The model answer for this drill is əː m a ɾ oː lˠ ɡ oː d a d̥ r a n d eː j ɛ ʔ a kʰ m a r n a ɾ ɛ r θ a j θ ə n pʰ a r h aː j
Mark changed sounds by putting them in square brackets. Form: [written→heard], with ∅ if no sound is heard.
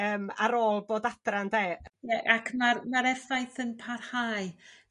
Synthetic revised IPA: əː m a ɾ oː lˠ [ɡ→b] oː d a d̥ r a n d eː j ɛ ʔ a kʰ m a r [n→m] a ɾ ɛ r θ a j θ ə n pʰ a r h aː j

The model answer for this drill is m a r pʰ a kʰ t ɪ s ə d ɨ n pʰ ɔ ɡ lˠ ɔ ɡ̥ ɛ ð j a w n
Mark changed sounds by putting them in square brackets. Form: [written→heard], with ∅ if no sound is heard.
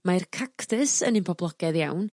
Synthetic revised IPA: m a r [pʰ→kʰ] a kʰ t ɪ s ə [d→n] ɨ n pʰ ɔ [ɡ→b] lˠ ɔ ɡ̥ ɛ ð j a w n

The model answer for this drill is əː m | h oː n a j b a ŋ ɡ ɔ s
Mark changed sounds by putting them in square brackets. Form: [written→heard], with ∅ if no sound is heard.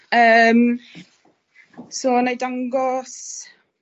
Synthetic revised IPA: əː m | [h→s] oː n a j [b→d] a ŋ ɡ ɔ s

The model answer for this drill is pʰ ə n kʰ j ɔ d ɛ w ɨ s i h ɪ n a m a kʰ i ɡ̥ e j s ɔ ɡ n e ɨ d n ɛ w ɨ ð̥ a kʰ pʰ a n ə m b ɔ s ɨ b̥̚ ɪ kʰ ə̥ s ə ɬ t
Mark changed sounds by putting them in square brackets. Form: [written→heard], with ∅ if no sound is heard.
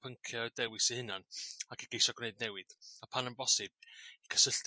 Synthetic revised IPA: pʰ ə [n→ŋ] kʰ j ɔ d ɛ w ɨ s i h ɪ n a [m→n] a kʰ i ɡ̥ e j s ɔ ɡ n e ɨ d n ɛ w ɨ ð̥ a [kʰ→∅] pʰ a n ə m b ɔ s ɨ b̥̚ [ɪ→i] kʰ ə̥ s ə ɬ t

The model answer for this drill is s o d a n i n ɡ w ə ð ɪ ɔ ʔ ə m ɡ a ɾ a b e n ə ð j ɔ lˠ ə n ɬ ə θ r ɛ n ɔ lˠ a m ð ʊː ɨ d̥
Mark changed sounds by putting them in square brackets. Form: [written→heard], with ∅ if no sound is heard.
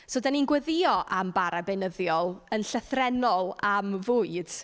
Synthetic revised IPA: s o d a n i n ɡ w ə ð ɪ ɔ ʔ [ə→a] m [ɡ→b] a ɾ a b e n ə ð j ɔ lˠ ə n ɬ ə θ r ɛ n ɔ lˠ a m [ð→v] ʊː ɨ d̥

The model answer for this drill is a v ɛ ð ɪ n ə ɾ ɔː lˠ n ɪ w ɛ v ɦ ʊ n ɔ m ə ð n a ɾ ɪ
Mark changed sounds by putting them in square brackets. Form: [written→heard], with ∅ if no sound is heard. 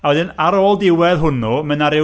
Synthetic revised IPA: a [v→w] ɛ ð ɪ n [ə→a] ɾ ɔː lˠ [n→d] ɪ w ɛ [v→ð] ɦ ʊ n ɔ m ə [ð→∅] n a ɾ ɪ

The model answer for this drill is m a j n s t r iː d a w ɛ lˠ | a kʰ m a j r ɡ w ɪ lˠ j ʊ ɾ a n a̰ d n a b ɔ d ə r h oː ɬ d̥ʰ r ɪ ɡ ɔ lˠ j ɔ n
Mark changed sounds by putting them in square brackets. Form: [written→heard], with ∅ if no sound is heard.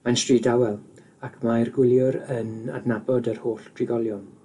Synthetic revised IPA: m a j n s t r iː d a w ɛ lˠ | a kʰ m a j r ɡ w ɪ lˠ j ʊ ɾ [a→ə] n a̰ d n a b ɔ d ə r h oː ɬ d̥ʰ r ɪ ɡ ɔ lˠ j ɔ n

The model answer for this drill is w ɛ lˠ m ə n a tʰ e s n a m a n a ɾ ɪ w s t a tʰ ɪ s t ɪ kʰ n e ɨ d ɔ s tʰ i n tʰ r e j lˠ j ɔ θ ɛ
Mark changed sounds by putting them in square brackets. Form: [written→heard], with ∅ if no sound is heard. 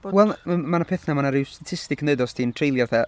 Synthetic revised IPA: w ɛ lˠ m [ə→a] n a [tʰ→pʰ] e [s→θ] n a m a n a ɾ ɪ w s t a tʰ ɪ s t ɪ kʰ n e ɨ d ɔ s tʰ i n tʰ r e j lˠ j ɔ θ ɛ

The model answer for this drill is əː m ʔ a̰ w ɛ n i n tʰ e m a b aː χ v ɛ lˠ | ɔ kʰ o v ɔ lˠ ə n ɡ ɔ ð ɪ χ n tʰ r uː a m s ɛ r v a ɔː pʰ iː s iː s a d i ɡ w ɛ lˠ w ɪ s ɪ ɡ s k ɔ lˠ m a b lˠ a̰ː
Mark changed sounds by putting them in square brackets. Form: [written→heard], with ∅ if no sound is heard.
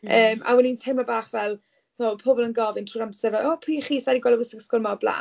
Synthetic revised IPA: əː m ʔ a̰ w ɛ n i n tʰ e m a b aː χ v ɛ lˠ | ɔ [kʰ→pʰ] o [v→b] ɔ lˠ ə n ɡ ɔ [ð→v] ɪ [χ→∅] n tʰ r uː a m s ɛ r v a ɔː pʰ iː [s→χ] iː s a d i ɡ w ɛ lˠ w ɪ s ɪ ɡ s k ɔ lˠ m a b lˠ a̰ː

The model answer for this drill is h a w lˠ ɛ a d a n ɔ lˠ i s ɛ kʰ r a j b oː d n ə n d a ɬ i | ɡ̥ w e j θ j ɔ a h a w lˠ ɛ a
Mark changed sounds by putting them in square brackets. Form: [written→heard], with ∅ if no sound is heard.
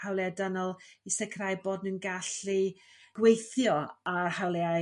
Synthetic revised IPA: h a w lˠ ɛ a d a n ɔ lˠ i s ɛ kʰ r a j b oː d n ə n [d→ɡ] a ɬ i | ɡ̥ w e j θ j ɔ a h a w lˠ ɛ a

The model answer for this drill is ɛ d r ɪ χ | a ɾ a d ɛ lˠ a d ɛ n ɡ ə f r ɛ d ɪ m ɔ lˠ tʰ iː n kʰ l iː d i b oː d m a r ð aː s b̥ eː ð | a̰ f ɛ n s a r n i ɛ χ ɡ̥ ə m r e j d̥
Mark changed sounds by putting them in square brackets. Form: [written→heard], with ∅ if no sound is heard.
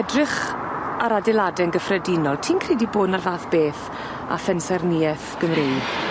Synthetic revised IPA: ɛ d r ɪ χ | a ɾ a d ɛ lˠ a d ɛ n ɡ ə f r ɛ d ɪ [m→n] ɔ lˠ tʰ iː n kʰ [l→r] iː d i b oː d [m→n] a r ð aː [s→θ] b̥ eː [ð→θ] | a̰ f ɛ n s [a→ɛ] r n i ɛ [χ→θ] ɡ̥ ə m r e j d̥

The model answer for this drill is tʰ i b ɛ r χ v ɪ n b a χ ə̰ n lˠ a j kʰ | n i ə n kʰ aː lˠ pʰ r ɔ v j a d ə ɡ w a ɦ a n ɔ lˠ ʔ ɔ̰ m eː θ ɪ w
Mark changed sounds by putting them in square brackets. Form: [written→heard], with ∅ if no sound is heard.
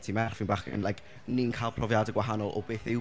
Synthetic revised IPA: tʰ i [b→m] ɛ r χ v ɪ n b a χ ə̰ n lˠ a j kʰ | n i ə n kʰ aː lˠ pʰ r ɔ v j a d ə ɡ w a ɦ a n ɔ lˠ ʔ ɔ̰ [m→b] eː θ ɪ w

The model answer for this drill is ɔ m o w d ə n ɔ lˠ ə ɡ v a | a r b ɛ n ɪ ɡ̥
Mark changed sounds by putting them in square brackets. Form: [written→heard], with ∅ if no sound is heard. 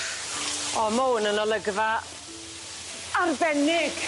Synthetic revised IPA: ɔ m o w [d→n] ə n ɔ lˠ ə ɡ v a | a r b ɛ n ɪ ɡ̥

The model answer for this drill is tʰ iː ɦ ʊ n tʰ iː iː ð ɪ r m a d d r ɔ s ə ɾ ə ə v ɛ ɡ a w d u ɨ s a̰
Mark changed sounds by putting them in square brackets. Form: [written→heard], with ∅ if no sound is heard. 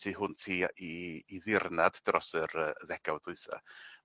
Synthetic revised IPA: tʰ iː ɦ ʊ n tʰ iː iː ð ɪ r [m→n] a d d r ɔ s ə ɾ ə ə [v→ð] ɛ ɡ a w d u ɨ [s→θ] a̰

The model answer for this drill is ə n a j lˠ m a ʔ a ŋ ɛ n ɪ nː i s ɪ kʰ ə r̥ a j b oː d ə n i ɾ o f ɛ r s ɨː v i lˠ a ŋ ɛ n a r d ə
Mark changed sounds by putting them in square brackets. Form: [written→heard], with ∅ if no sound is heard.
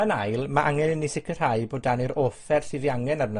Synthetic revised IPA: ə n a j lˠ m a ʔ a ŋ ɛ n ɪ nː i s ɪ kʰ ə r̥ a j b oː d [ə→a] n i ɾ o f ɛ r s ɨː [v→ð] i [lˠ→∅] a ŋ ɛ n a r [d→n] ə

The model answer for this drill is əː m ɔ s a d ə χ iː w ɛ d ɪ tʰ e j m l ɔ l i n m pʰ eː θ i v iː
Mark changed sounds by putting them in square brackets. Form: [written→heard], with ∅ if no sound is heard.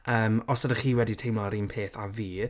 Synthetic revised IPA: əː m ɔ s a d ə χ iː w ɛ d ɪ tʰ e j m l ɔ [l→ɾ] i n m pʰ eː θ [i→a] v iː

